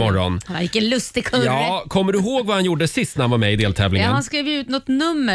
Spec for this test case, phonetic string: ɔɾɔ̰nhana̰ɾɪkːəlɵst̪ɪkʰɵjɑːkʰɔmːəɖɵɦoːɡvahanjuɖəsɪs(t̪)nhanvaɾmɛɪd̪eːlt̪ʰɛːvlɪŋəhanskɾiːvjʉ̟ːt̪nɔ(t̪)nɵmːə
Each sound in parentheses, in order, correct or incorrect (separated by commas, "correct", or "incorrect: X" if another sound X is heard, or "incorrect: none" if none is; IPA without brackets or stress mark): correct, correct